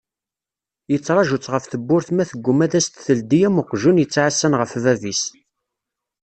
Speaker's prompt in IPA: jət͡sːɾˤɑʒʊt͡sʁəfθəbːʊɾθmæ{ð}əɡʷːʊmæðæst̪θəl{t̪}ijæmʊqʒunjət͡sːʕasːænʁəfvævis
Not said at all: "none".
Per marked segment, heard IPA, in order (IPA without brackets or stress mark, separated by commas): θ, d̪